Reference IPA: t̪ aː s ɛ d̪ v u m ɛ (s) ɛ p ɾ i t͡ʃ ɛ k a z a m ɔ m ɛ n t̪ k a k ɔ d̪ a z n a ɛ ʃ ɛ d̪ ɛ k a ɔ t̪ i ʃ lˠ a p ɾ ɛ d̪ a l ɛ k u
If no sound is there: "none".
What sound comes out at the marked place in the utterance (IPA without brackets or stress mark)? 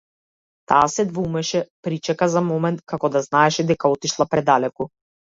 ʃ